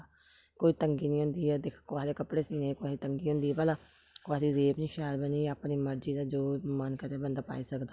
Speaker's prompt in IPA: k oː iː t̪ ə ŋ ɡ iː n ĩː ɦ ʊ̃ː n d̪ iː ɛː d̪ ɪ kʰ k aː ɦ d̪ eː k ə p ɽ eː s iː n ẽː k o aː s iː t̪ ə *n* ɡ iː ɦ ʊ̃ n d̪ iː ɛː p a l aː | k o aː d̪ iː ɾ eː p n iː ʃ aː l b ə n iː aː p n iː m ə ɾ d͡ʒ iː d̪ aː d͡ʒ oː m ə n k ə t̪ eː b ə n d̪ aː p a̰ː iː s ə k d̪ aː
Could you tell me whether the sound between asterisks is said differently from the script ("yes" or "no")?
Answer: yes